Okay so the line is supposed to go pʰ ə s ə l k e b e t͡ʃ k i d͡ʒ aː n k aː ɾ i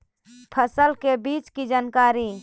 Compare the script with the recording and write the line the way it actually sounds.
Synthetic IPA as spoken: pʰ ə s ə l k e b i t͡ʃ k i d͡ʒ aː n k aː ɾ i